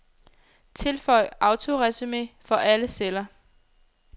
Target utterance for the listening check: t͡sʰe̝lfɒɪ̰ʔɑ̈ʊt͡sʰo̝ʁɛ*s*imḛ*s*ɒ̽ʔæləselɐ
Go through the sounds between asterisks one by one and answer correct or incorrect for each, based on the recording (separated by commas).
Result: correct, incorrect